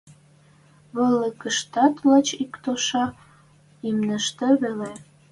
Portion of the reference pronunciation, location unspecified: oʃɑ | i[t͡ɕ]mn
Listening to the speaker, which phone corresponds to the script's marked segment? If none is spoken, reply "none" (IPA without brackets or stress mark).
none